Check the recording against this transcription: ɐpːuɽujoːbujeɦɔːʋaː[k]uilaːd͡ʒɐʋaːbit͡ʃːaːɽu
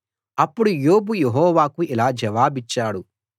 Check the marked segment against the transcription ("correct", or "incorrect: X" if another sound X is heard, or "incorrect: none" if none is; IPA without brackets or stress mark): correct